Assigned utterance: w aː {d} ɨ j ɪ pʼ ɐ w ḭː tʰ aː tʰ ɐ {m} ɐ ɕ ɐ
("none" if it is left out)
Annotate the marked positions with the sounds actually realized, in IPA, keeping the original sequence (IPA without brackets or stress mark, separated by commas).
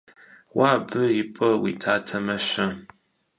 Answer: b, m